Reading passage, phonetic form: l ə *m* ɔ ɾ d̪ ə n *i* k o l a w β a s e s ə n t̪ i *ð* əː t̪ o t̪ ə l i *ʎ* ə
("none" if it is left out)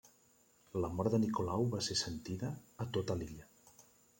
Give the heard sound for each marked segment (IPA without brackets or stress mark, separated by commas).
m, i, ð, ʎ